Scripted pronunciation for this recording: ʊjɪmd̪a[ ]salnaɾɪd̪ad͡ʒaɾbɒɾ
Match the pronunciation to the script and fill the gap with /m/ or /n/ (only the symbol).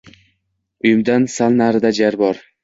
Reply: n